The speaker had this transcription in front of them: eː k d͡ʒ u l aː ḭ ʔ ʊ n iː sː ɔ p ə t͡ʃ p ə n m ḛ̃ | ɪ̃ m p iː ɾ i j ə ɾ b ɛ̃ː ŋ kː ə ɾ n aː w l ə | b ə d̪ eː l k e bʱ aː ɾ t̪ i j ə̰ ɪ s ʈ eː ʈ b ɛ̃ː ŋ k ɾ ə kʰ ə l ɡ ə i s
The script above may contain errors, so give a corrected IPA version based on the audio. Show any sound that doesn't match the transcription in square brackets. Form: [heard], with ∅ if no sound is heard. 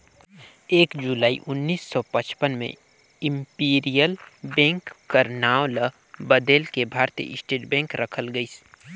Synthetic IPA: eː k d͡ʒ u l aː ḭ ʔ ʊ [nː] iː sː ɔ p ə t͡ʃ p ə n m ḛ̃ | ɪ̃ m p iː ɾ i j ə [l] b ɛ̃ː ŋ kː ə ɾ n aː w l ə | b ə d̪ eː l k e bʱ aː ɾ t̪ i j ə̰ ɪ s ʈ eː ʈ b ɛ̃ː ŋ k ɾ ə kʰ ə l ɡ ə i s